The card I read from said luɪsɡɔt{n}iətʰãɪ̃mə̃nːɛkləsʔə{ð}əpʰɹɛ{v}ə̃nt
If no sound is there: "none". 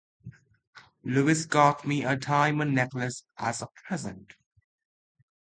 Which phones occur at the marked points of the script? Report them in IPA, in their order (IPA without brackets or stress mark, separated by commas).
m, z, z